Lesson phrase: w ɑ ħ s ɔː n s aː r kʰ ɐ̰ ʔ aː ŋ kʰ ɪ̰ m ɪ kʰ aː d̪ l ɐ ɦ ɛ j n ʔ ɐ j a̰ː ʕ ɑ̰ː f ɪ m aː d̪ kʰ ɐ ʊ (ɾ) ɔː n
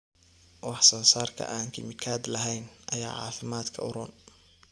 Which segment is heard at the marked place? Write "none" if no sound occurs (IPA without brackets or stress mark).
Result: ɾ